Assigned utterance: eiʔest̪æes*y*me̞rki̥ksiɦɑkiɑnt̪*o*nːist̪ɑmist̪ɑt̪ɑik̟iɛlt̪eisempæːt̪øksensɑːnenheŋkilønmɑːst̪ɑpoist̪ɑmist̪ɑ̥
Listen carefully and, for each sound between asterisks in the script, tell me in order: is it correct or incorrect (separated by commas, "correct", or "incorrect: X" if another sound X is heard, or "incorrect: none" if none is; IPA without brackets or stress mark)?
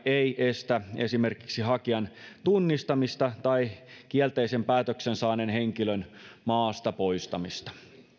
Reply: incorrect: i, incorrect: u